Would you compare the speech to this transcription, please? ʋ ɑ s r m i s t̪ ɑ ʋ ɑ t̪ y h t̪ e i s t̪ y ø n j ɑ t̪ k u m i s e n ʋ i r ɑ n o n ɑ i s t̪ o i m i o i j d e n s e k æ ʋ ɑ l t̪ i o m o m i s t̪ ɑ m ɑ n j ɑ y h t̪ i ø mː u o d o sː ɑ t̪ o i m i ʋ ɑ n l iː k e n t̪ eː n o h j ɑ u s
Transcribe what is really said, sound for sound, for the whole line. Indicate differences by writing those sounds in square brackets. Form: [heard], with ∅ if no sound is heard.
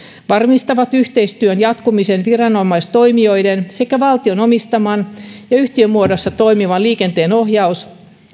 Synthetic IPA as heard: ʋ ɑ [∅] r m i s t̪ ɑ ʋ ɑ t̪ y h t̪ e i s t̪ y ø n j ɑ t̪ k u m i s e n ʋ i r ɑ n o [m] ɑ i s t̪ o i m i o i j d e n s e k æ ʋ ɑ l t̪ i o [n] o m i s t̪ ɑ m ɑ n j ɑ y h t̪ i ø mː u o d o sː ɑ t̪ o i m i ʋ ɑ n l iː k e n t̪ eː n o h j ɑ u s